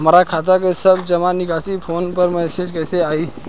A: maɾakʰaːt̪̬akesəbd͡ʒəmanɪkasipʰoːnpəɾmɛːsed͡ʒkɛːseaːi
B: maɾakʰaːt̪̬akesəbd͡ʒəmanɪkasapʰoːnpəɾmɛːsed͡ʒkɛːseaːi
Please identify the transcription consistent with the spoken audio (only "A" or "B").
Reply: A